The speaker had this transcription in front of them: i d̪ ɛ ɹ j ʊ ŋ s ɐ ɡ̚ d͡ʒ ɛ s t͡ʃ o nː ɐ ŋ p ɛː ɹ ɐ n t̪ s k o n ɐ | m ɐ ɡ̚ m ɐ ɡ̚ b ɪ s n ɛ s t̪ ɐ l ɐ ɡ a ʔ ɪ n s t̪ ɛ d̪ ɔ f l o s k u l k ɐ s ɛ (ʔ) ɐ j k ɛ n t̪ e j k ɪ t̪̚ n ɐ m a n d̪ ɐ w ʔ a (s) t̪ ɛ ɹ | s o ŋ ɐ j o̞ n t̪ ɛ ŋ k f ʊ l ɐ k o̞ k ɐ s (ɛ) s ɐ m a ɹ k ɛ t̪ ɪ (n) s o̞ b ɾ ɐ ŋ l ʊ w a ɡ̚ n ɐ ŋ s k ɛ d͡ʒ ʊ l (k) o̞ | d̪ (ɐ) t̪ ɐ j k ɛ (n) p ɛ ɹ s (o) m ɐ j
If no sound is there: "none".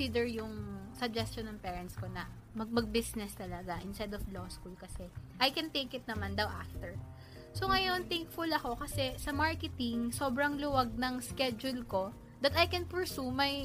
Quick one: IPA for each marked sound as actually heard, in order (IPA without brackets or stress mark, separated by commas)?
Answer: ʔ, f, ɛ, ŋ, k, ɐ, n, u